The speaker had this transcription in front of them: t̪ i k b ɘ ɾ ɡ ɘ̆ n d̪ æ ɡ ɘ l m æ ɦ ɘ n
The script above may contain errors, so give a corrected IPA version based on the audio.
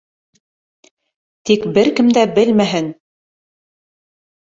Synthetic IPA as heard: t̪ i k b ɘ ɾ k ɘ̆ m d̪ æ b ɘ l m æ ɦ ɘ n